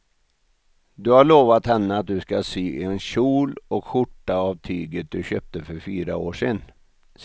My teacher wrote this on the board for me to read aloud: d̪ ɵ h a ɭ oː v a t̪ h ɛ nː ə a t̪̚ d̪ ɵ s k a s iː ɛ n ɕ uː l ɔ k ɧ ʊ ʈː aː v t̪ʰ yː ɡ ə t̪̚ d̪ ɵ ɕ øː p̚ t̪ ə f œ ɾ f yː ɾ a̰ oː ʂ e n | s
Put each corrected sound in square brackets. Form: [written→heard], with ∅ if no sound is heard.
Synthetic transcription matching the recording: d̪ ɵ h a ɭ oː v a t̪ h ɛ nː ə a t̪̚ d̪ ɵ s k a s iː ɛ n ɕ uː l ɔ k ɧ ʊ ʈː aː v t̪ʰ yː ɡ ə t̪̚ d̪ ɵ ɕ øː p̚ t̪ ə f œ ɾ f yː ɾ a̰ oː ʂ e n | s

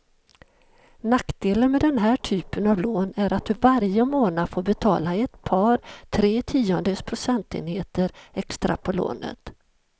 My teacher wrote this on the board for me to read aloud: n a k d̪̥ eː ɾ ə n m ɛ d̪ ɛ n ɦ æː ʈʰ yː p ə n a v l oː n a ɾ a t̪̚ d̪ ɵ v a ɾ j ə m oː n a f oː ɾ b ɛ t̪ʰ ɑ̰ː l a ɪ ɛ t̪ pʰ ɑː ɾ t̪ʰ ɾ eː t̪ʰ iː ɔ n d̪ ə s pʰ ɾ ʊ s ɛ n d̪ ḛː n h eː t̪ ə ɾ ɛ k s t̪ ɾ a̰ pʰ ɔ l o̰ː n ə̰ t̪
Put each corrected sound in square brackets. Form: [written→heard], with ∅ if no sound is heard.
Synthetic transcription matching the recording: n a k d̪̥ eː [ɾ→l] ə n m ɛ d̪ ɛ n ɦ æː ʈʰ yː p ə n a v l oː n [a→æ] ɾ a t̪̚ d̪ ɵ v a ɾ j ə m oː n a f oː ɾ b ɛ t̪ʰ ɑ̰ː l a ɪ ɛ t̪ pʰ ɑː ɾ t̪ʰ ɾ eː t̪ʰ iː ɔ n d̪ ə s pʰ ɾ ʊ s ɛ n [d̪→t̪] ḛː n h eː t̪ ə ɾ ɛ k s t̪ ɾ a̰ pʰ ɔ l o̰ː n ə̰ t̪

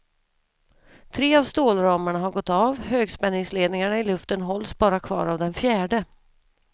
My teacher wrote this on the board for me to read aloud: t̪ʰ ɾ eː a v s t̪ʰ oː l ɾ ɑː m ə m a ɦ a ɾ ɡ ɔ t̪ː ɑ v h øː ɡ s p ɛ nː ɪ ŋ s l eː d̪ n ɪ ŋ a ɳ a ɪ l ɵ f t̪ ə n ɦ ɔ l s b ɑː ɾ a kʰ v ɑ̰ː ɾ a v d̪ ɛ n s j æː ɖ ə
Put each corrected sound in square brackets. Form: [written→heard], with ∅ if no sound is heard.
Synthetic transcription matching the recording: t̪ʰ ɾ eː a v s [t̪ʰ→t̪] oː l ɾ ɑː m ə [m→ɳ] a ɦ a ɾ ɡ ɔ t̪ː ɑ v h øː ɡ s p ɛ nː ɪ ŋ s l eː d̪ n ɪ ŋ a ɳ a ɪ l ɵ f t̪ ə n ɦ ɔ l s b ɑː ɾ a kʰ v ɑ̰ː ɾ a v d̪ ɛ n [s→f] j æː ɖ ə

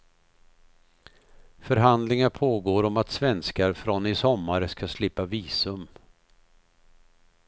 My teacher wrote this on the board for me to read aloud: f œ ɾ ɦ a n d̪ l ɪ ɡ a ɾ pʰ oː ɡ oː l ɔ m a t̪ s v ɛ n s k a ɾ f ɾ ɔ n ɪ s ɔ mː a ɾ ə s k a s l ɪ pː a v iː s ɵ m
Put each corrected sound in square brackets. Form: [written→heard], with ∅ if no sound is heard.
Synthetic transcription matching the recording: f œ ɾ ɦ a n d̪ l ɪ [ɡ→ŋ] a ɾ pʰ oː ɡ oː [l→ɾ] ɔ m a t̪ s v ɛ n s k a ɾ f ɾ ɔ n ɪ s ɔ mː a ɾ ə s k a s l ɪ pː a v iː s ɵ m

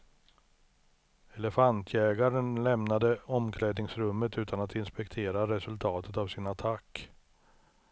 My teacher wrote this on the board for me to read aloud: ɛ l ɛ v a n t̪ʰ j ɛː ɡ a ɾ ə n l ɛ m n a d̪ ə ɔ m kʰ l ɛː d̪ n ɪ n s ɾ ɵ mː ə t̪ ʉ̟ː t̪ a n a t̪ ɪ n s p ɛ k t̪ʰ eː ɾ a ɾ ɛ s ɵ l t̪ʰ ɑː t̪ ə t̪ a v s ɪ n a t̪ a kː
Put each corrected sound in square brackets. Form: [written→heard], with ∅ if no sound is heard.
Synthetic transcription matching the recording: ɛ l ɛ [v→f] a n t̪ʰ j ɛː ɡ a ɾ ə n l ɛ m n a d̪ ə ɔ m kʰ l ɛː d̪ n ɪ [n→ŋ] s ɾ ɵ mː ə t̪ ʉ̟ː t̪ a n a t̪ ɪ n s p ɛ k t̪ʰ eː ɾ a ɾ ɛ s ɵ l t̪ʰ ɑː t̪ ə t̪ a v s ɪ n a [t̪→t̪ʰ] a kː

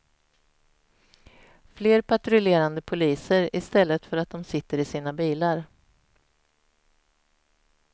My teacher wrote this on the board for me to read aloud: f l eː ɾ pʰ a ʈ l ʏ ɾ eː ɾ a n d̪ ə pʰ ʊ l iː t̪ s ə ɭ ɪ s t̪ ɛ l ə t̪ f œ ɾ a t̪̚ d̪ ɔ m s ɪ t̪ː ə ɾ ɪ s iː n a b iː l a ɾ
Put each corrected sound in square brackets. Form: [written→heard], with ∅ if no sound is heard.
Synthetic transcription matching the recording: f l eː ɾ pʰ a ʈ [l→ɾ] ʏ [ɾ→l] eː ɾ a n d̪ ə pʰ ʊ l iː [t̪→∅] s ə [ɭ→ɾ] ɪ s t̪ ɛ [l→lː] ə t̪ f œ ɾ a t̪̚ d̪ ɔ m s ɪ t̪ː ə ɾ ɪ s iː n a b iː l a ɾ

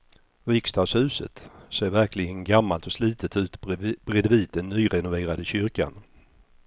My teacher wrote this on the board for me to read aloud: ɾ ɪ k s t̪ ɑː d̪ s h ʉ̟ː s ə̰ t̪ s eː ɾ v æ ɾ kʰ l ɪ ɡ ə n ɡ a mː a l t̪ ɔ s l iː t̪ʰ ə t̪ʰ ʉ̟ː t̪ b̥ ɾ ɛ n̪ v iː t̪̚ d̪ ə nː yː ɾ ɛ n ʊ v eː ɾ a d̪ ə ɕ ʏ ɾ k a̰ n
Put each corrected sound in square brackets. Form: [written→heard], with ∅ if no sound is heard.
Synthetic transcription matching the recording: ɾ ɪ k s t̪ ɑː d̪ s h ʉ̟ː s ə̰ t̪ s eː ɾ v æ ɾ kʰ l ɪ ɡ ə n ɡ a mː a l t̪ ɔ s l iː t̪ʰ ə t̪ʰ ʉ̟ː t̪ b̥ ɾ ɛ [n̪→d̪] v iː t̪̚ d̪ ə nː yː ɾ ɛ n ʊ v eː ɾ a d̪ ə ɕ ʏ ɾ k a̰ n

